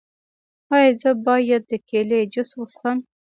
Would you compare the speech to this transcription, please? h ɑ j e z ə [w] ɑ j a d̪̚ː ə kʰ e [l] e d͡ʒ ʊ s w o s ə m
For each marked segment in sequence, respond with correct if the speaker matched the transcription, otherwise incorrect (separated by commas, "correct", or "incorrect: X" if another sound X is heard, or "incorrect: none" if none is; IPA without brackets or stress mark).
incorrect: b, correct